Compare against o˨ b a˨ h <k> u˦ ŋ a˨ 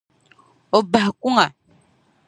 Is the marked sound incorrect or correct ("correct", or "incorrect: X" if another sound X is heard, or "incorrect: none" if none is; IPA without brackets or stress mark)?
correct